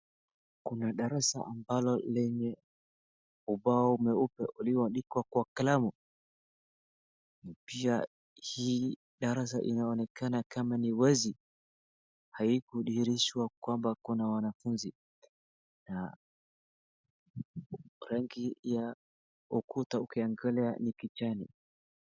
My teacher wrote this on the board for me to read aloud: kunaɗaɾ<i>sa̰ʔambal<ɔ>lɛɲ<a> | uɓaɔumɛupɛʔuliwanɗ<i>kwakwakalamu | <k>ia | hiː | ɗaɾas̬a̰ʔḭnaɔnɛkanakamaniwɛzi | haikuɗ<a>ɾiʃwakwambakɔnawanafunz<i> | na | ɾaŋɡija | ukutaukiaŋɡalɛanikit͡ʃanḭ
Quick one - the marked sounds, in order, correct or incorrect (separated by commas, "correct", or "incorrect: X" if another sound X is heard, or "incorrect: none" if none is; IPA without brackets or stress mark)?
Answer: incorrect: a, correct, incorrect: ɛ, correct, incorrect: p, incorrect: i, correct